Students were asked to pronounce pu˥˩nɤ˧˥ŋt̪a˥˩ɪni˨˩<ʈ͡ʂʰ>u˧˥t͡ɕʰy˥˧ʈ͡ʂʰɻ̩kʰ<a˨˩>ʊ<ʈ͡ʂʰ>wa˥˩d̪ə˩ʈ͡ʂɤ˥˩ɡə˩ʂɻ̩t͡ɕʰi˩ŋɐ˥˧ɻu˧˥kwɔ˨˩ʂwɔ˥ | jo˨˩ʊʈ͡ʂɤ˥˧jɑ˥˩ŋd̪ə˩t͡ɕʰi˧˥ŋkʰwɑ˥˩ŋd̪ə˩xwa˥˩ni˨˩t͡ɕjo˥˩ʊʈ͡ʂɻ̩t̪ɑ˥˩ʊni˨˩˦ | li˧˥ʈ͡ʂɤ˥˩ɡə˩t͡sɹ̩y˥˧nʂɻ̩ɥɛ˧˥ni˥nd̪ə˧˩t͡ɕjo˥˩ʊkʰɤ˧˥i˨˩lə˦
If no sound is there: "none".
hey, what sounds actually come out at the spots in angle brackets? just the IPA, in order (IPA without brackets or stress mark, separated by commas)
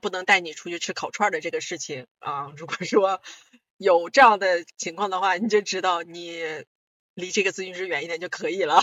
ʈ͡ʂʰ, ɑ˨˩, ʈ͡ʂʰ